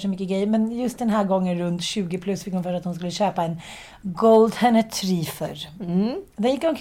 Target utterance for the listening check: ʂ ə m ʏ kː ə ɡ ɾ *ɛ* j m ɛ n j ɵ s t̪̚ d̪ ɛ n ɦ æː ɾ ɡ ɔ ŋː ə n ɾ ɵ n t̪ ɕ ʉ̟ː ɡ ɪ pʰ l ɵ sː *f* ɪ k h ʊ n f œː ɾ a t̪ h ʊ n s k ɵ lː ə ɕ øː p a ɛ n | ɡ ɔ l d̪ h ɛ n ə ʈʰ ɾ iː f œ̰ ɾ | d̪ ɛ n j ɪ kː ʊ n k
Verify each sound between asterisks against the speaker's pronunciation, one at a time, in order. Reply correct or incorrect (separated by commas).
correct, correct